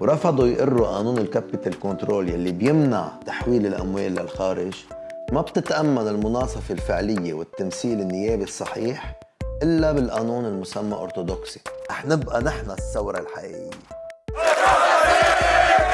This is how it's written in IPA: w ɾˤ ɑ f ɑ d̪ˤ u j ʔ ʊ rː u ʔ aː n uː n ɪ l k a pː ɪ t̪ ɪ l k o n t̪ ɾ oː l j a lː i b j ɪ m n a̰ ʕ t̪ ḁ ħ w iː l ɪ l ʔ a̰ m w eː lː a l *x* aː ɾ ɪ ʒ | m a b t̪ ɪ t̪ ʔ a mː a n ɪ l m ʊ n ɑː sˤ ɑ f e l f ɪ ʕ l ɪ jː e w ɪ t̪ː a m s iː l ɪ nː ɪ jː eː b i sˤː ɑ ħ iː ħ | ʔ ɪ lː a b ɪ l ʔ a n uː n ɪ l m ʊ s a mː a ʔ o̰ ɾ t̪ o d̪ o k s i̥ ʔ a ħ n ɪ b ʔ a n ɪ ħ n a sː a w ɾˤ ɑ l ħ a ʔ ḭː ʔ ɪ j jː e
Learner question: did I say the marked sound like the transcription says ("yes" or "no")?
yes